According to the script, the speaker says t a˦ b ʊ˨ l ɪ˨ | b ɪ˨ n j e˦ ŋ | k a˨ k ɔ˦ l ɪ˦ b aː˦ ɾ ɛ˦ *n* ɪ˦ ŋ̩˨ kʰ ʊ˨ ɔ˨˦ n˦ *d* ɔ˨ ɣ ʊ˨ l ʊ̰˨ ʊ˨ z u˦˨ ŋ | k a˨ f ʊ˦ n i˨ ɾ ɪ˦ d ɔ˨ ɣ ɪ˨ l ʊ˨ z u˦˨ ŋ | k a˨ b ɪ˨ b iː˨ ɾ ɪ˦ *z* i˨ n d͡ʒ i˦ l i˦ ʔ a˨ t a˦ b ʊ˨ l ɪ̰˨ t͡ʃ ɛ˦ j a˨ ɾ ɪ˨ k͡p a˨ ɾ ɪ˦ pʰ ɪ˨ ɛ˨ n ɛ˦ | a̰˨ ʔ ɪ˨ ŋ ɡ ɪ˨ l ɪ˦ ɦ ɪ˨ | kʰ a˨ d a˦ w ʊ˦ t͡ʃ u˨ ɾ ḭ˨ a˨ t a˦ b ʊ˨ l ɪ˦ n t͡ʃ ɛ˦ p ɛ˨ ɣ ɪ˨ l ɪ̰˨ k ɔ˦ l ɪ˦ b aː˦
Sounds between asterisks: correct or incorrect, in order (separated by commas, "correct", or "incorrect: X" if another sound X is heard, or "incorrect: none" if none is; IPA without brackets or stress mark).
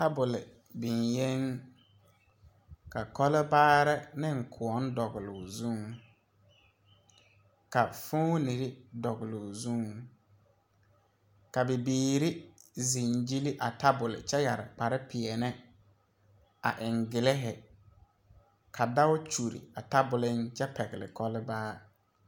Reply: correct, correct, correct